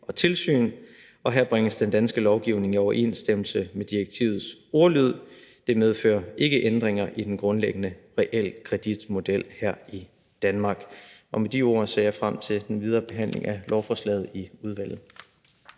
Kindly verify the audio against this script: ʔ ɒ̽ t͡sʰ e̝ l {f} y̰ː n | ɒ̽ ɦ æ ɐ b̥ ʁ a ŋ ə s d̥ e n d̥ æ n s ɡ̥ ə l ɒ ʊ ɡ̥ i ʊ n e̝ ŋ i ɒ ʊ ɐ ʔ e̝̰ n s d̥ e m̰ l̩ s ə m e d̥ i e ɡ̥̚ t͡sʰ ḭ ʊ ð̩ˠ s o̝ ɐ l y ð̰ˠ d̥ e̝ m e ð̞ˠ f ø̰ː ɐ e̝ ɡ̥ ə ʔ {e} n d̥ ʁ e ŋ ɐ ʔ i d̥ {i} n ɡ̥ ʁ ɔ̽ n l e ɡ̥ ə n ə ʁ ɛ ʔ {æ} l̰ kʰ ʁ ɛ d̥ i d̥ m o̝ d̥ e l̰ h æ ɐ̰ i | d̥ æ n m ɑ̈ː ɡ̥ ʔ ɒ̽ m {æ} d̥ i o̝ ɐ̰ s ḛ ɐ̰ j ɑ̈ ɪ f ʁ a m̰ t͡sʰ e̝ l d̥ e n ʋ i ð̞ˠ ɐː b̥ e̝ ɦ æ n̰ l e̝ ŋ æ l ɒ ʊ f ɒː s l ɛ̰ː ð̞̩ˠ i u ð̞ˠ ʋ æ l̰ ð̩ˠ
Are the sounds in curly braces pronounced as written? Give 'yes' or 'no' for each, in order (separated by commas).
no, yes, no, no, no